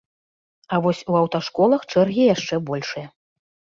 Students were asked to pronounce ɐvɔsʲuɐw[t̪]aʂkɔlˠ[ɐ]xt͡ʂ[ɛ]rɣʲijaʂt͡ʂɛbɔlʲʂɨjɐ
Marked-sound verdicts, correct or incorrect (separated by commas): correct, correct, correct